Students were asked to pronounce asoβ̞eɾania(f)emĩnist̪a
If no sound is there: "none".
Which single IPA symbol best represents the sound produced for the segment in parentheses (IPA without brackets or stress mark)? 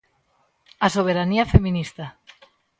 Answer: f